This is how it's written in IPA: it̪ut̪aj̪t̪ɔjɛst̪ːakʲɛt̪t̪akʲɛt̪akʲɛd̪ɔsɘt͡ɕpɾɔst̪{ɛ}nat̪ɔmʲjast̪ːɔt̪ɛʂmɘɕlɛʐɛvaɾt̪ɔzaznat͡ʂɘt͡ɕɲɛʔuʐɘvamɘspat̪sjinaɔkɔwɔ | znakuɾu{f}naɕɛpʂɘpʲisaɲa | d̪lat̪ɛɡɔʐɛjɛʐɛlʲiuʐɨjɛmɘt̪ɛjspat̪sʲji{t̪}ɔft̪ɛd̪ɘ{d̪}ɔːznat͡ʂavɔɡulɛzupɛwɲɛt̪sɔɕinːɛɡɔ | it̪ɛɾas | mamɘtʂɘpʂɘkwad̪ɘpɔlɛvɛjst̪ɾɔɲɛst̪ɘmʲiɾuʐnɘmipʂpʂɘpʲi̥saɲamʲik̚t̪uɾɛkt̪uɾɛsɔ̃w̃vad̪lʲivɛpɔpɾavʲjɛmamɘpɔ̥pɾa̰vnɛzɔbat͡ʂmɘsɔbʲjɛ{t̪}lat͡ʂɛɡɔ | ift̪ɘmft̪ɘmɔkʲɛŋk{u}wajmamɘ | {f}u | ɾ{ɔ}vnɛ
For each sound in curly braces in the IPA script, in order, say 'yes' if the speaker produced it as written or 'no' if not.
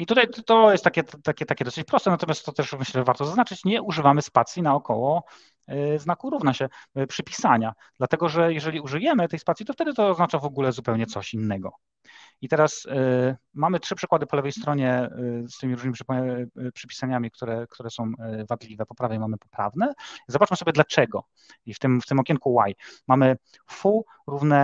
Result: yes, no, yes, no, no, yes, yes, no

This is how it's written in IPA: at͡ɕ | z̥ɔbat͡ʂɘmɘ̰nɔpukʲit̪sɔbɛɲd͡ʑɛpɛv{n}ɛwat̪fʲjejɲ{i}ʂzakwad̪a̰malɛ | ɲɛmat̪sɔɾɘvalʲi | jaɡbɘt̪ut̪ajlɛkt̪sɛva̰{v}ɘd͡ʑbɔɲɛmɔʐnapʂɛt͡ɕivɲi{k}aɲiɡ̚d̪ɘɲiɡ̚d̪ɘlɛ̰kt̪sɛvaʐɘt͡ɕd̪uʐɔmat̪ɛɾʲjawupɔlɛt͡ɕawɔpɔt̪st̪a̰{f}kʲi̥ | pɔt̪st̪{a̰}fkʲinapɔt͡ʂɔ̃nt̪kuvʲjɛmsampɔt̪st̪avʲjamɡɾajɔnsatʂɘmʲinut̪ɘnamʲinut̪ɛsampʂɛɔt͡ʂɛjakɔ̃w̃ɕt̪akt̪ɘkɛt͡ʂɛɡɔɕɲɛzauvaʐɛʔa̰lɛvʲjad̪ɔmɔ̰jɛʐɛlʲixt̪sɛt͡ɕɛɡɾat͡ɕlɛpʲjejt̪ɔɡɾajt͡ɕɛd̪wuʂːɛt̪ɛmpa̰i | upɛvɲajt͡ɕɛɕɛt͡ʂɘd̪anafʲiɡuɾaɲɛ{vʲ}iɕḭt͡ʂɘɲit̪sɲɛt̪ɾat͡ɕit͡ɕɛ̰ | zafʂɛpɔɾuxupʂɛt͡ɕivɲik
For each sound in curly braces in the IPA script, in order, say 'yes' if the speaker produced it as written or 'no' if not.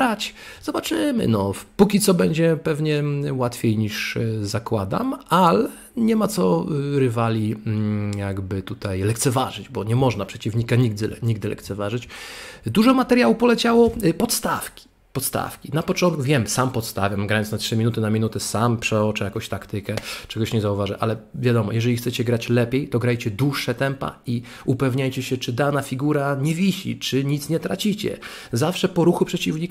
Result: no, yes, no, yes, yes, yes, yes

